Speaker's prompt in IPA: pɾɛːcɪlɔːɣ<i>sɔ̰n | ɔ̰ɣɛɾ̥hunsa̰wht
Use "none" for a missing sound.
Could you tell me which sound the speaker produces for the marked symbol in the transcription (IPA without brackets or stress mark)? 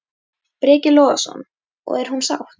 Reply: a